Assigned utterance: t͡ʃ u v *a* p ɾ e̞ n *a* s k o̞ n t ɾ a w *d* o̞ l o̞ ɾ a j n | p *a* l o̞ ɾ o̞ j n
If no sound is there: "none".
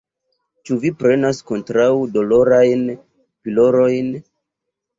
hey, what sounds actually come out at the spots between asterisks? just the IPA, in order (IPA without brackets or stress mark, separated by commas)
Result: i, a, d, i